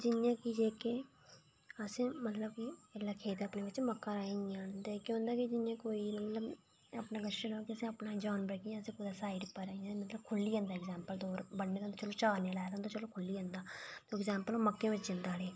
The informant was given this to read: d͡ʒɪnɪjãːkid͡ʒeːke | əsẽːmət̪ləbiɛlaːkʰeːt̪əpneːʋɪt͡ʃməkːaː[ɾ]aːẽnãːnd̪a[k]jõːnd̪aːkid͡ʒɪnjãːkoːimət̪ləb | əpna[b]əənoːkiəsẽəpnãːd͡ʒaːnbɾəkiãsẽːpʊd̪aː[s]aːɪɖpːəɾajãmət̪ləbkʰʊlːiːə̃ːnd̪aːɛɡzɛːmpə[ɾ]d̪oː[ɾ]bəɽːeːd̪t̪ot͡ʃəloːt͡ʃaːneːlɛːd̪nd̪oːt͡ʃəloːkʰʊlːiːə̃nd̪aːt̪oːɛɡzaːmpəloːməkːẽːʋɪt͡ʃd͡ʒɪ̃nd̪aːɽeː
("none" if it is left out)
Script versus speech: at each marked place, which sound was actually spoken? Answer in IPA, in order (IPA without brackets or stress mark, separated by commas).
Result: ɾ, k, ɡ, s, l, ɾ